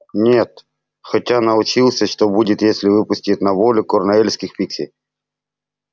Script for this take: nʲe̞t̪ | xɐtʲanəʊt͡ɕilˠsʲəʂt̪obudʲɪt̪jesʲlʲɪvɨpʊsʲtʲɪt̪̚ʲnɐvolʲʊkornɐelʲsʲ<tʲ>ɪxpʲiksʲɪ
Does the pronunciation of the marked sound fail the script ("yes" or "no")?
yes